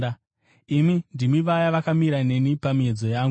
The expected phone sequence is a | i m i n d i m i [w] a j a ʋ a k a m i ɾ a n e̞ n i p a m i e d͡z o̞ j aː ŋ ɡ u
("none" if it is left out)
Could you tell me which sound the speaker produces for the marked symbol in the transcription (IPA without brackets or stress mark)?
ʋ